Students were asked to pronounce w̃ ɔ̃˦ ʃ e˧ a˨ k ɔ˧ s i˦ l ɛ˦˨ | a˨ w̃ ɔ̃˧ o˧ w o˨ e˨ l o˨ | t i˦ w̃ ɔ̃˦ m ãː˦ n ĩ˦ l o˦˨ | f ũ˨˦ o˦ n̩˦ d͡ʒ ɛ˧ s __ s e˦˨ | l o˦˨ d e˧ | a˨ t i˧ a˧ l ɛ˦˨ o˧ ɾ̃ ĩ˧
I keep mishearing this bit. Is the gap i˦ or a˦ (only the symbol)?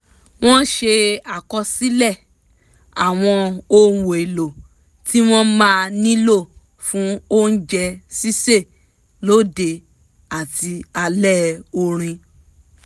i˦